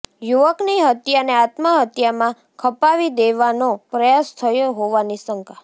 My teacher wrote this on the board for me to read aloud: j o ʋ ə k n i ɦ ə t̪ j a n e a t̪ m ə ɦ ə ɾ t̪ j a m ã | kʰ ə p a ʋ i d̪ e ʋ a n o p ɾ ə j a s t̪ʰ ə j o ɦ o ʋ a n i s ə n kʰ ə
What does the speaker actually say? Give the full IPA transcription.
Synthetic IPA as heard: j u ʋ ə k n i ɦ ə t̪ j a n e a t̪ m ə ɦ ə t̪ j a m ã | kʰ ə p a ʋ i d̪ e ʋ a n o p ɾ ə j a s t̪ʰ ə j o ɦ o ʋ a n i s ə ŋ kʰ a